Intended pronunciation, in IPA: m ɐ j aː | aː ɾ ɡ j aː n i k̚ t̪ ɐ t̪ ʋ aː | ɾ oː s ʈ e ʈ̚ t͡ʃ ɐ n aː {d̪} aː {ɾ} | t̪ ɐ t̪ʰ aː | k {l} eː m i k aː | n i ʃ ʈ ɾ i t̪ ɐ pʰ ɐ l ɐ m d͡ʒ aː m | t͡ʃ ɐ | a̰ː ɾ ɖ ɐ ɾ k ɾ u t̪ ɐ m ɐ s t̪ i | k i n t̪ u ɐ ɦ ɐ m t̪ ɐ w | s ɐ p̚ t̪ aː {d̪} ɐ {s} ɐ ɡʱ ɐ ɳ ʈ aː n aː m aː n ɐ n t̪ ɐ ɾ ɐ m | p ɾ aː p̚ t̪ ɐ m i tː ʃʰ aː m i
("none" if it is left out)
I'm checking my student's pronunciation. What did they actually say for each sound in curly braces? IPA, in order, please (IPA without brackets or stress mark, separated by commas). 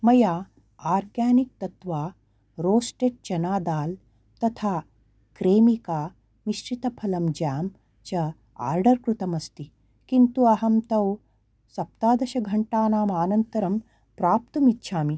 d̪, l, ɾ, d̪, ʃ